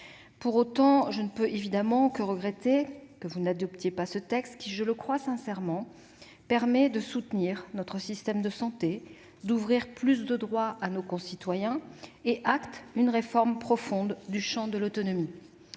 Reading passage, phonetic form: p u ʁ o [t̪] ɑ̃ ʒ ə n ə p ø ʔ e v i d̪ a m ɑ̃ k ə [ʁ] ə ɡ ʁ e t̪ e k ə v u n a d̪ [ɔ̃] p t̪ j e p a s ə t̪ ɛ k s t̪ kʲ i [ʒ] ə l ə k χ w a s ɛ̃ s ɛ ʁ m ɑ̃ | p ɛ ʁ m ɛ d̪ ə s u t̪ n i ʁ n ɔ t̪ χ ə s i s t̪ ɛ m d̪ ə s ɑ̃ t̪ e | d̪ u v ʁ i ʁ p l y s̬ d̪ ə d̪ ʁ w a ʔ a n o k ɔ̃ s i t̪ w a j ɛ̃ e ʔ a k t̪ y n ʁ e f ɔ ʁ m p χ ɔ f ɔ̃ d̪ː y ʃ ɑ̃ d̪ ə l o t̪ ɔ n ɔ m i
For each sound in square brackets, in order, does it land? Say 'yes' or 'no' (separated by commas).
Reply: yes, yes, no, yes